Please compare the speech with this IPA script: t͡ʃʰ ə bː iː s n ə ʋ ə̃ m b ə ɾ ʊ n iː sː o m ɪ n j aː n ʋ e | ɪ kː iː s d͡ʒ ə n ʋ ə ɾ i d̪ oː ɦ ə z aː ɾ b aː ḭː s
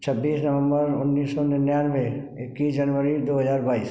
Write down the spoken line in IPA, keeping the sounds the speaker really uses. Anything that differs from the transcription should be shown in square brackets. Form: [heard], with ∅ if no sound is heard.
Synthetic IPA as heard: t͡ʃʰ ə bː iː s n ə ʋ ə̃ m b ə ɾ ʊ [nː] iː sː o [n] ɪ n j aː n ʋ e | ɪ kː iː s d͡ʒ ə n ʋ ə ɾ i d̪ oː ɦ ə z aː ɾ b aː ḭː s